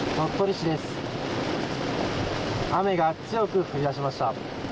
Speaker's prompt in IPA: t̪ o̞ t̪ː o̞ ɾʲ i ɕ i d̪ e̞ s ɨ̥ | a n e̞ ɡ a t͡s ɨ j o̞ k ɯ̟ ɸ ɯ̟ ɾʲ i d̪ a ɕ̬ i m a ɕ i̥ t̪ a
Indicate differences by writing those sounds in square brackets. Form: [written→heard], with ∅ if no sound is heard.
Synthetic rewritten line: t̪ o̞ t̪ː o̞ ɾʲ i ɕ i d̪ e̞ s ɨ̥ | a [n→m] e̞ ɡ a t͡s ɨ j o̞ k ɯ̟ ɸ ɯ̟ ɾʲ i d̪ a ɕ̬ i m a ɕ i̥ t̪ a